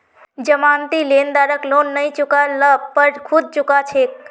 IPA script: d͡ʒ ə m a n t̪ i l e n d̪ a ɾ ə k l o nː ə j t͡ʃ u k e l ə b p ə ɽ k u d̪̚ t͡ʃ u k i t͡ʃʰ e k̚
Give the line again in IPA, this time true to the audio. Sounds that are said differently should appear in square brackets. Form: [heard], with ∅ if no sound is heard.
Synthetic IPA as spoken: d͡ʒ ə m a n t̪ i l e n d̪ a ɾ ə k l o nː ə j t͡ʃ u k [a] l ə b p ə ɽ [kʰ] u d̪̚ t͡ʃ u k [a] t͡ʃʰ e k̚